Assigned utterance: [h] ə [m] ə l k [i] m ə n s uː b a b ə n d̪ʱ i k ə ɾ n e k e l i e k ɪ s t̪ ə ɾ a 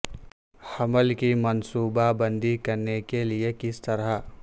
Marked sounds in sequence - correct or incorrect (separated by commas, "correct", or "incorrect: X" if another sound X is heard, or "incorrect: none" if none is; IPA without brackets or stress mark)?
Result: correct, correct, correct